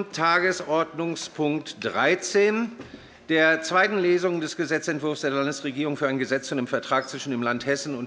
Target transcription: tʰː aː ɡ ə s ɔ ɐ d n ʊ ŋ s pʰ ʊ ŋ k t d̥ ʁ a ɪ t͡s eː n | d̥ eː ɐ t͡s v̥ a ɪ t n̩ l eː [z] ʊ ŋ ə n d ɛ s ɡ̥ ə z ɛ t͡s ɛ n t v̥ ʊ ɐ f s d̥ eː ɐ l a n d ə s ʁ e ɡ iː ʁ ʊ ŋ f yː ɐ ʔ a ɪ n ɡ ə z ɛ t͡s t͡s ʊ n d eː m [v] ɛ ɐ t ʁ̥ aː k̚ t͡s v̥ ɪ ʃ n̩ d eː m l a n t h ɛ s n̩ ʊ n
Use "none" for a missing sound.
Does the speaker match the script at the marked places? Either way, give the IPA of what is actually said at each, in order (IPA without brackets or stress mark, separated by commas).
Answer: z, f